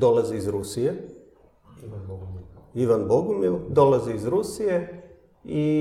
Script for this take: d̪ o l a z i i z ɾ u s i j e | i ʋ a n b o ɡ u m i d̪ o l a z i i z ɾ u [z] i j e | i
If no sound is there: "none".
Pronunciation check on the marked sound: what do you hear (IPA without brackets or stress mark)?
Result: s